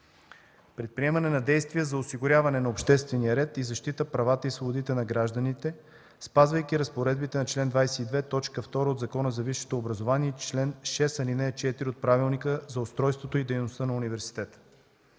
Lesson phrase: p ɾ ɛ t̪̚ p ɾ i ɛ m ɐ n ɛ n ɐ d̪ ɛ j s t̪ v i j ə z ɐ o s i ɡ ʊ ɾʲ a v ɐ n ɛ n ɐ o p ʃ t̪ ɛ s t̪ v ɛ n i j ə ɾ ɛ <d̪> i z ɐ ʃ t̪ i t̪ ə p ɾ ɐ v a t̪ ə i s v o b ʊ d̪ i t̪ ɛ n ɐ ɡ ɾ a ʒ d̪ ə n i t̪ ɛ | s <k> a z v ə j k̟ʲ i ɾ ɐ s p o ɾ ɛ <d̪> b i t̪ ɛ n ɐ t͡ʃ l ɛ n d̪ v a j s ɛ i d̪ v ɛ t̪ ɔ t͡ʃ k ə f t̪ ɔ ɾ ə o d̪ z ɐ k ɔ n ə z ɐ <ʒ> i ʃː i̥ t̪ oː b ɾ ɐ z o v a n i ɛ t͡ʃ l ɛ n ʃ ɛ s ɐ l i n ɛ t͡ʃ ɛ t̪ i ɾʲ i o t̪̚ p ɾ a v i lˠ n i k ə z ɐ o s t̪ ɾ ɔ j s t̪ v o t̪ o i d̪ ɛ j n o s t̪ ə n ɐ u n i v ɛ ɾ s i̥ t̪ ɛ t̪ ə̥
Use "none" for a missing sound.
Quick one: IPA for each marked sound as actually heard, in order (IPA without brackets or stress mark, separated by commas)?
t̪, p, d̪, v